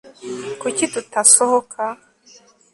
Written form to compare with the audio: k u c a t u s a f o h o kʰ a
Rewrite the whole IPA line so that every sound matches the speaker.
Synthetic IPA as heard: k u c i t u t a s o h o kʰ a